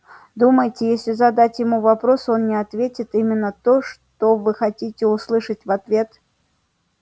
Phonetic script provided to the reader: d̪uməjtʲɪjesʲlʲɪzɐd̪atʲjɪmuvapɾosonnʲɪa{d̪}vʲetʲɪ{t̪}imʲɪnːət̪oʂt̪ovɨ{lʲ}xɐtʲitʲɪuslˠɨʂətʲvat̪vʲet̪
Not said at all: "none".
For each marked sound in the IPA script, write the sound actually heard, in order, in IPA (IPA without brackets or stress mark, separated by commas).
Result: t̪, t̪, none